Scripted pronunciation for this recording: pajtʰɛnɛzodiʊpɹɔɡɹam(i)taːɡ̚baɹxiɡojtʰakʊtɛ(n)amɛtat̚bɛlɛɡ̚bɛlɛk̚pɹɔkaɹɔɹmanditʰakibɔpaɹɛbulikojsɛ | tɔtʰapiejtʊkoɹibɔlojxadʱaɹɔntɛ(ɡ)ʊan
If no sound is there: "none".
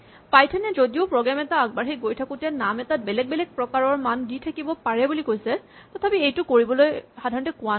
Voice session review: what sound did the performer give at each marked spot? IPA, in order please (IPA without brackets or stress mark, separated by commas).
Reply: ɛ, n, k